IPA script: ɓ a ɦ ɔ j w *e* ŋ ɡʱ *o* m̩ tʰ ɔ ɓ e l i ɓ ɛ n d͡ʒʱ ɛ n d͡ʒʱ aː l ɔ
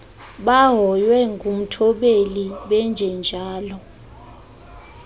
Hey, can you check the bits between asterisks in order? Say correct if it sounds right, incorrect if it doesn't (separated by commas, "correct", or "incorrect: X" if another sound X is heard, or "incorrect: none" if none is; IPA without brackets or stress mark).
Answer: incorrect: ɛ, incorrect: u